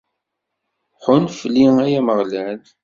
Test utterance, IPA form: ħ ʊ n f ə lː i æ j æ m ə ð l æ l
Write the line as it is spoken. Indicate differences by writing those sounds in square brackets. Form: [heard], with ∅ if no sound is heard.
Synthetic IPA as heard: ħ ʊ n f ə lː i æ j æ m ə [ʁ] l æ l